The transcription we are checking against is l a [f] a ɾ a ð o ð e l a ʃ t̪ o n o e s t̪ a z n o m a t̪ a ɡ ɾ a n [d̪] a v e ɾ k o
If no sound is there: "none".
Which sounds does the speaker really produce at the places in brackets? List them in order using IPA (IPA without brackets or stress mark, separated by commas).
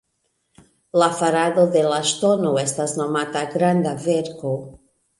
f, d̪